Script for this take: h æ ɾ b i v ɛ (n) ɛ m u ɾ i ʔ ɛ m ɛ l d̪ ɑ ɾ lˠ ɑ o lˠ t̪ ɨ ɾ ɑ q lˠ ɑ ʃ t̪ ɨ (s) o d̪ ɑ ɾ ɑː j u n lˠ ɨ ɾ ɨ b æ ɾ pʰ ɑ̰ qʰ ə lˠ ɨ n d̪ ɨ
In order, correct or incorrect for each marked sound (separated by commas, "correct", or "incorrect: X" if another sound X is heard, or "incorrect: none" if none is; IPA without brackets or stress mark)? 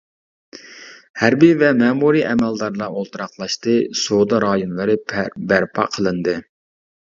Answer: incorrect: m, correct